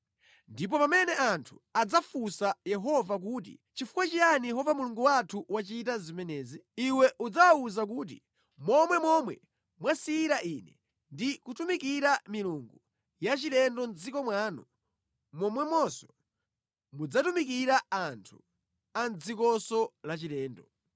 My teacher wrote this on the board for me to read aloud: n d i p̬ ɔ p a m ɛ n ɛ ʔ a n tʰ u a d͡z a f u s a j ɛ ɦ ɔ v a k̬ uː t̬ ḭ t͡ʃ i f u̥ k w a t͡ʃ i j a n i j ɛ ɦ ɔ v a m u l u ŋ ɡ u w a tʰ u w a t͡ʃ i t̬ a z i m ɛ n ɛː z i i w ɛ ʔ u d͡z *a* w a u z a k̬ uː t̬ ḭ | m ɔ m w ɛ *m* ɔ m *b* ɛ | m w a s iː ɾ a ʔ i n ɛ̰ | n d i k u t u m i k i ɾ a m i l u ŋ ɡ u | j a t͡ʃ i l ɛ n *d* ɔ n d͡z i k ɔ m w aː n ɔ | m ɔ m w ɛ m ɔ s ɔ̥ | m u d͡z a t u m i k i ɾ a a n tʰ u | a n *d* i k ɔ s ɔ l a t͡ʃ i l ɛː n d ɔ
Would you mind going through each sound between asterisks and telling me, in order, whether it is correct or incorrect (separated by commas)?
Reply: correct, correct, incorrect, correct, incorrect